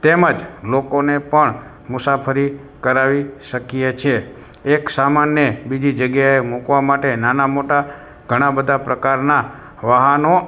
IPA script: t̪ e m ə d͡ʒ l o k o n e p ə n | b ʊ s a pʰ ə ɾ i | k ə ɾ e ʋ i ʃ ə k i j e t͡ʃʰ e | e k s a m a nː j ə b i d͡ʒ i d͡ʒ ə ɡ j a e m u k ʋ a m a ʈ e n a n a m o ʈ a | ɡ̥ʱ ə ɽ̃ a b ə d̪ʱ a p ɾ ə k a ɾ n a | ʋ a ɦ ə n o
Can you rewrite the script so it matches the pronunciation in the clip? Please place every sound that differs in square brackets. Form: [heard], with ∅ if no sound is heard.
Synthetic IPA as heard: t̪ e m ə d͡ʒ l o k o n e p ə [ɳ] | [m] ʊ s a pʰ ə ɾ i | k ə ɾ [a] ʋ i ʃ ə k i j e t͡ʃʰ e | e k s a m a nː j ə b i d͡ʒ i d͡ʒ ə ɡ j a e m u k ʋ a m a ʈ e n a n a m o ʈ a | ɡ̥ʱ ə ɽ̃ a b ə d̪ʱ a p ɾ ə k a ɾ n a | ʋ a ɦ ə n o